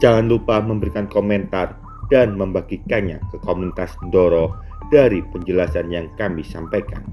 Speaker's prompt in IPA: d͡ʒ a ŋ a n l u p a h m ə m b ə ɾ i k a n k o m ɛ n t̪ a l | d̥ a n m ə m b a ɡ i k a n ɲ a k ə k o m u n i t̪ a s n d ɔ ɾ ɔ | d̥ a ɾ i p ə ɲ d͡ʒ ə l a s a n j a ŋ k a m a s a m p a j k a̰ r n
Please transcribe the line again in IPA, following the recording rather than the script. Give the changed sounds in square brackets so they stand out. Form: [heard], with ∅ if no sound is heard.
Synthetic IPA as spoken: d͡ʒ a ŋ a n l u p a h m ə m b ə ɾ i k a n k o m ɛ n t̪ a [r] | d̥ a n m ə m b a ɡ i k a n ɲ a k ə k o m u n i t̪ a s n d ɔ ɾ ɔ | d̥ a ɾ i p ə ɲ d͡ʒ ə l a s a n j a ŋ k a m [i] s a m p a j k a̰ [∅] n